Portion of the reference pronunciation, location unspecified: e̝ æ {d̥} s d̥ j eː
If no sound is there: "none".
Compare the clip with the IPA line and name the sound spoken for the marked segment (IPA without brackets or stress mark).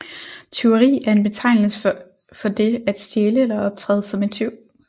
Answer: d̥